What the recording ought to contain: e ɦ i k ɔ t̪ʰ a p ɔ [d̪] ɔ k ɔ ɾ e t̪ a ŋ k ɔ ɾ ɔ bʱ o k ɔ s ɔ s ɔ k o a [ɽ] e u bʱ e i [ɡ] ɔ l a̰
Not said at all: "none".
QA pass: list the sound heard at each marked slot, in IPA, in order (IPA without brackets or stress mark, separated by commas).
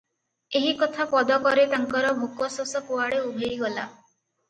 d̪, ɽ, ɡ